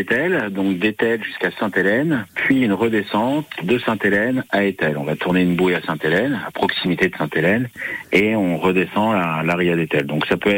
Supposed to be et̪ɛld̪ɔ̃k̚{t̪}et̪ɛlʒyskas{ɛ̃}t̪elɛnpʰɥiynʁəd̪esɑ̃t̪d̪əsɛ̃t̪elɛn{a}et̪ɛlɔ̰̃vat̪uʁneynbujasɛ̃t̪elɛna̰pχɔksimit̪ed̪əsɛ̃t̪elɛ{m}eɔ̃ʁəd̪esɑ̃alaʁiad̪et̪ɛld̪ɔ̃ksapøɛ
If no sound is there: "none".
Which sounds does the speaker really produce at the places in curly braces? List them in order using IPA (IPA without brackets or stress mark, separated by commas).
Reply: d̪, ɛ̃, a, n